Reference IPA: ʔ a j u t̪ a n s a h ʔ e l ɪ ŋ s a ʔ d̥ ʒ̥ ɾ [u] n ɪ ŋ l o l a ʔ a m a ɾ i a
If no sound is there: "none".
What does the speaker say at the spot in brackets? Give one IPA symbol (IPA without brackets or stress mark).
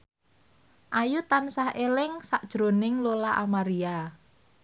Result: o